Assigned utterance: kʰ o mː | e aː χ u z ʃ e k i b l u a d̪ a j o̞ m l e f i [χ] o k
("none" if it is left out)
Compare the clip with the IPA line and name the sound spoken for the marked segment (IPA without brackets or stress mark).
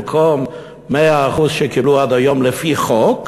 χ